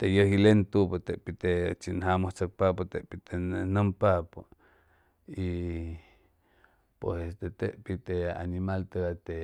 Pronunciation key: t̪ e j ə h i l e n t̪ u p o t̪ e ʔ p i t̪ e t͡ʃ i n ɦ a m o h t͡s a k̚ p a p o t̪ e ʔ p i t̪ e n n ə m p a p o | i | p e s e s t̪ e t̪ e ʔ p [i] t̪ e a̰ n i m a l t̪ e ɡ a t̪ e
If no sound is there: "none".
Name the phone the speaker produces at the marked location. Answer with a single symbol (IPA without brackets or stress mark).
i